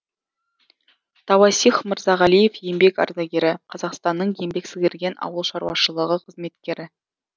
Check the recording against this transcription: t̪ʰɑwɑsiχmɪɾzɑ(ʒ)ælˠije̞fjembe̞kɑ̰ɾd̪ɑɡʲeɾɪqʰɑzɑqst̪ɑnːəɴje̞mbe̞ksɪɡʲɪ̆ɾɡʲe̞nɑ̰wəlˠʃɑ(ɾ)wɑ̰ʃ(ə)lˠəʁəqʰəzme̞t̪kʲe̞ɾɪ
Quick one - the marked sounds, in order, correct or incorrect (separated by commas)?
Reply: incorrect, correct, correct